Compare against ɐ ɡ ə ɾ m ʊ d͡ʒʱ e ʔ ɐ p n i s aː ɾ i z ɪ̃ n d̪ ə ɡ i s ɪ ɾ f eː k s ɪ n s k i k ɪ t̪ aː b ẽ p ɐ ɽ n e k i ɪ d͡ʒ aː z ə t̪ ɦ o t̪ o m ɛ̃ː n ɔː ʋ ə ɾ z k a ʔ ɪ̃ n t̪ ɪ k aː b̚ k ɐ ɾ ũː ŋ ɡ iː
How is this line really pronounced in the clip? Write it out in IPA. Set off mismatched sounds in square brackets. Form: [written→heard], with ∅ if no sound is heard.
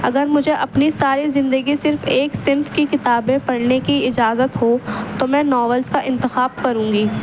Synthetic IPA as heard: ɐ ɡ ə ɾ m ʊ d͡ʒʱ e ʔ ɐ p n i s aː ɾ i z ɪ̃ n d̪ ə ɡ i s ɪ ɾ f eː k s ɪ n [s→f] k i k ɪ t̪ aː b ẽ p ɐ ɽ n e k i ɪ d͡ʒ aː z ə t̪ ɦ o t̪ o m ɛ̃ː n ɔː ʋ ə [ɾ→l] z k a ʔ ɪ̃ n t̪ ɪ [k→x] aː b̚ k ɐ ɾ ũː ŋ ɡ iː